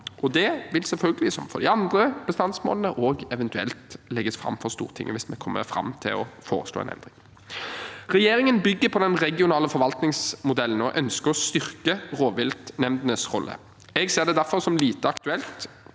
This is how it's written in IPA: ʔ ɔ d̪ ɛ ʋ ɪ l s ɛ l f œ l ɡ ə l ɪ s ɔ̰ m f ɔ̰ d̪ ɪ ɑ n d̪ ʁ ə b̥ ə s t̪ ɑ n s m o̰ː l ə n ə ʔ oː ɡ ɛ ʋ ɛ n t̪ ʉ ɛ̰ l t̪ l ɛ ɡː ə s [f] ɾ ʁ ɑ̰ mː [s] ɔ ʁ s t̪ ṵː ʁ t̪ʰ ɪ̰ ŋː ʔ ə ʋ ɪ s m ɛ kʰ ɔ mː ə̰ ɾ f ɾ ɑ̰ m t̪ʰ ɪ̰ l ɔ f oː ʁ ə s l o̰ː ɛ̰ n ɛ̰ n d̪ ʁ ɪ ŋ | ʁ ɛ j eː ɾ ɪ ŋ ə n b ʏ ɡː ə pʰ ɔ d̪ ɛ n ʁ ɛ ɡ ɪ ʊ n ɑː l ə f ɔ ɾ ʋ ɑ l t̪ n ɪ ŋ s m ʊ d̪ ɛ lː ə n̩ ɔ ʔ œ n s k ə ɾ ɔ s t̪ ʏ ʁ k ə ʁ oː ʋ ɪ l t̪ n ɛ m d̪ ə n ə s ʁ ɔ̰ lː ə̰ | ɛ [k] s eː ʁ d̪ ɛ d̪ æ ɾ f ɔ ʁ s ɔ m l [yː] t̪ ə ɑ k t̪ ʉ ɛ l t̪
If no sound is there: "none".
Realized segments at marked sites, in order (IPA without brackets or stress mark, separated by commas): f, f, ɡ, iː